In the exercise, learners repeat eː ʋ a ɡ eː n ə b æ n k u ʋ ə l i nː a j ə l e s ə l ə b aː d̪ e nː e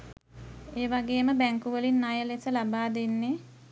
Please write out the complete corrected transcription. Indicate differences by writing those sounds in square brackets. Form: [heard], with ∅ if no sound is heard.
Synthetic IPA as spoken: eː ʋ a ɡ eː [m] ə b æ [ŋ] k u ʋ ə l i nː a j ə l e s ə l [a] b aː d̪ e nː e